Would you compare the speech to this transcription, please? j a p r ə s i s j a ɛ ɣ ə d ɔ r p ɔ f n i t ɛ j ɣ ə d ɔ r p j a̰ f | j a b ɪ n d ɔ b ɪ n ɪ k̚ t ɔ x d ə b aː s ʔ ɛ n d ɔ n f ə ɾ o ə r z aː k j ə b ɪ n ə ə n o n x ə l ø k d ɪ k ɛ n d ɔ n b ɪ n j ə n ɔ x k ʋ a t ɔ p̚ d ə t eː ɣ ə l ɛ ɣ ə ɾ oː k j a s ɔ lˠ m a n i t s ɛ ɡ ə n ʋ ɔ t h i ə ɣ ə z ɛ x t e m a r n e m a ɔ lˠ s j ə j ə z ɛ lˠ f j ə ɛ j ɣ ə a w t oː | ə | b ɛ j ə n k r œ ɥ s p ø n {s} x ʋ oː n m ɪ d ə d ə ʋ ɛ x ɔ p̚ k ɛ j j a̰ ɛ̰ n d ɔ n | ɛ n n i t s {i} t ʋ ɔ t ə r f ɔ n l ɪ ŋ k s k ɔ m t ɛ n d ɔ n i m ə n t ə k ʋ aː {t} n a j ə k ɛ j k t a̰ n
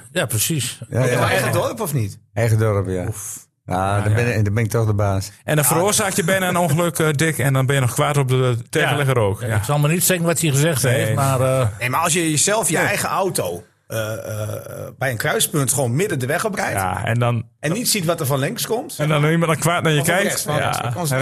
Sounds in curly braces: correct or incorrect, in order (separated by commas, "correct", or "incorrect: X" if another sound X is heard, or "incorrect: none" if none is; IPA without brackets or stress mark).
incorrect: t, correct, correct